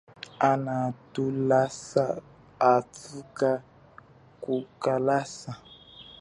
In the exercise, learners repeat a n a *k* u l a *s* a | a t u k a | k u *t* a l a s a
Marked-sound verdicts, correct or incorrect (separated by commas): incorrect, correct, incorrect